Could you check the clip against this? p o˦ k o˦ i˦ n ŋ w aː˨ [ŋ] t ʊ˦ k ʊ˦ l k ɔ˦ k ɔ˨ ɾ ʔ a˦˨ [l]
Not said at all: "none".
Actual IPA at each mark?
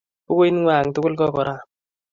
ŋ, none

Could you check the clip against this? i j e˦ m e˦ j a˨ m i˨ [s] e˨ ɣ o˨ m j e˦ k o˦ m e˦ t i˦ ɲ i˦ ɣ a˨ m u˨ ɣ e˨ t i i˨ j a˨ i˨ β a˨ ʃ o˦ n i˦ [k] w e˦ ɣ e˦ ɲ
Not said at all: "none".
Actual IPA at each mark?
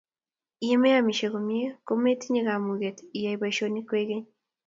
ʃ, k

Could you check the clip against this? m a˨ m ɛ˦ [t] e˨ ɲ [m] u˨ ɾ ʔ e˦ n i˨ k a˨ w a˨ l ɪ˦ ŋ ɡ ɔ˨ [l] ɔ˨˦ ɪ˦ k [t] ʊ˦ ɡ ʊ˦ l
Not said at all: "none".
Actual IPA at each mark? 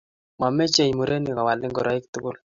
t͡ʃ, m, ɾ, t

